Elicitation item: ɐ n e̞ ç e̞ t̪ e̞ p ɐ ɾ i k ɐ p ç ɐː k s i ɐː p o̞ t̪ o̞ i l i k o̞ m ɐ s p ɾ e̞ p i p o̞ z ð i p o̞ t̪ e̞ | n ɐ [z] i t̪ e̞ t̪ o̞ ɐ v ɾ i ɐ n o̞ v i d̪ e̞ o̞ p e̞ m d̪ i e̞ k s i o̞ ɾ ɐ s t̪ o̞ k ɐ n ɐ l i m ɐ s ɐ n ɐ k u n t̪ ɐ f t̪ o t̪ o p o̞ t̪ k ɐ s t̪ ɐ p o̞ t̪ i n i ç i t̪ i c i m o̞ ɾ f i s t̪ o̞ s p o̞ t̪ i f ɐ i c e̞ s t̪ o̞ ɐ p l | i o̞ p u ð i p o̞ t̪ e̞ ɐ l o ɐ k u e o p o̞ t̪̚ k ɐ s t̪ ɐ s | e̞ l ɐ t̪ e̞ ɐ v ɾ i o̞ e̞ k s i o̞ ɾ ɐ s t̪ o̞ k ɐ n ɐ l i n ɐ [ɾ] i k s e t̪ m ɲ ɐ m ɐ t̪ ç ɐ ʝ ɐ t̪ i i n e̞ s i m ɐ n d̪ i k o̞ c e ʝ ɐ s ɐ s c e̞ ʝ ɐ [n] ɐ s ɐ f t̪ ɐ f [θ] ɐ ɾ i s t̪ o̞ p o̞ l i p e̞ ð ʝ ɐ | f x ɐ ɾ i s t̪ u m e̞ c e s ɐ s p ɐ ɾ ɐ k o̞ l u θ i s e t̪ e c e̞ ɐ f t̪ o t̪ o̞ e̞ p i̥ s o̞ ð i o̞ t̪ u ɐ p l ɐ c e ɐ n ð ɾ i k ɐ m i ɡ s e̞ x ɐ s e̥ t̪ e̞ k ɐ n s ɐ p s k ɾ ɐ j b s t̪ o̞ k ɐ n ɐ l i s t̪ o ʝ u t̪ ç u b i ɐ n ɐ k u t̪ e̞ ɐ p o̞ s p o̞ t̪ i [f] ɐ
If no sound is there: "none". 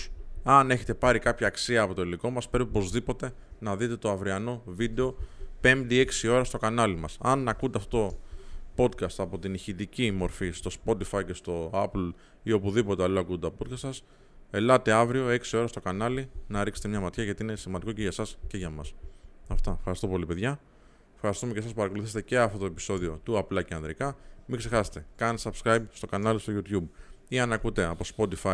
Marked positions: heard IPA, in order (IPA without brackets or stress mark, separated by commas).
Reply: ð, ɾ, m, x, f